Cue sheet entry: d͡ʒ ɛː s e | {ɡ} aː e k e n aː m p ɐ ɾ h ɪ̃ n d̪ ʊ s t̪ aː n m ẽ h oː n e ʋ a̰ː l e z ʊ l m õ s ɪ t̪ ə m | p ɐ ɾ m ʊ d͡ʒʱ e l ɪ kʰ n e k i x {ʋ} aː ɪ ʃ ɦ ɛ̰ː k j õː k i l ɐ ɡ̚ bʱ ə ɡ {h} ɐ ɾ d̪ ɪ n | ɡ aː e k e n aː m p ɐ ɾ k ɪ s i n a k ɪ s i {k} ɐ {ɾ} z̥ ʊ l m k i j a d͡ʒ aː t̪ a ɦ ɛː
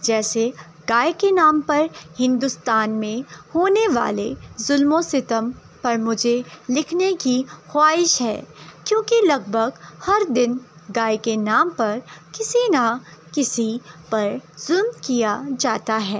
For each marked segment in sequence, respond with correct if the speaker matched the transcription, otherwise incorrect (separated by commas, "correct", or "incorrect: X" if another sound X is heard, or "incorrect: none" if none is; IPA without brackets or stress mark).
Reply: correct, incorrect: w, correct, incorrect: p, correct